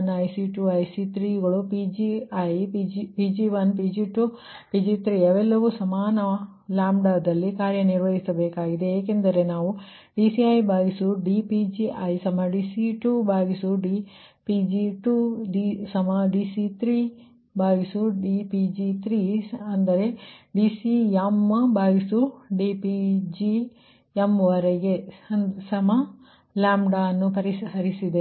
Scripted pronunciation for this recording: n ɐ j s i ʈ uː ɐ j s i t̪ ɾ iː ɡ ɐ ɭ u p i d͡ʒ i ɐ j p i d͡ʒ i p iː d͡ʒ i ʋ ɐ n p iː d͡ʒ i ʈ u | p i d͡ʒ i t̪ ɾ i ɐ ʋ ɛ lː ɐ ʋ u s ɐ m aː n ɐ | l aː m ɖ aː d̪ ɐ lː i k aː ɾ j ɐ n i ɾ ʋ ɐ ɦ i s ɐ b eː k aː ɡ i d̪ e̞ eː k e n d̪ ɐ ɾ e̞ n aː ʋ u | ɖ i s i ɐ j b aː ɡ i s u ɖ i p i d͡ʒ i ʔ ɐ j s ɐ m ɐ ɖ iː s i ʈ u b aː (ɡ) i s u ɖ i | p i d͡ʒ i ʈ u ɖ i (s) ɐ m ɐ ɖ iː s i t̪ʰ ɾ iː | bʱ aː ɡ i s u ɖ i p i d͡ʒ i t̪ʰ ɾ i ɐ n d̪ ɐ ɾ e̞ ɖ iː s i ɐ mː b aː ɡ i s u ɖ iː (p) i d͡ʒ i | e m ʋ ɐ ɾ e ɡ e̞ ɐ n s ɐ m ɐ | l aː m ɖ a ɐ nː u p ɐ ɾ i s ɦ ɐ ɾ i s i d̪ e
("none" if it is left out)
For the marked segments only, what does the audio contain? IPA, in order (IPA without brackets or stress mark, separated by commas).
ɡ, s, p